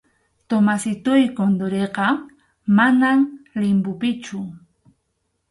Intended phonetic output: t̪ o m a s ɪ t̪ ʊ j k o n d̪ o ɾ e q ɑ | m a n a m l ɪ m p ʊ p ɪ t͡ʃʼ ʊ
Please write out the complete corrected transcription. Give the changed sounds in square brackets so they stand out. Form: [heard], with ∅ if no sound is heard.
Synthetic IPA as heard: t̪ o m a s ɪ t̪ ʊ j k o n d̪ o ɾ e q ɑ | m a n a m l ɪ m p ʊ p ɪ [t͡ʃ] ʊ